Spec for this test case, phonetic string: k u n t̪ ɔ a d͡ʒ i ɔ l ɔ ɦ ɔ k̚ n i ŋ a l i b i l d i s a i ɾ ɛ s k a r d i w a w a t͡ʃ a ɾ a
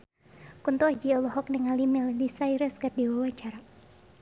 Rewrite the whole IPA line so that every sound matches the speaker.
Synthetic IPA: k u n t̪ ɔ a d͡ʒ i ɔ l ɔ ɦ ɔ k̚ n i ŋ a l i m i l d i s a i ɾ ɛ s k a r d i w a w a t͡ʃ a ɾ a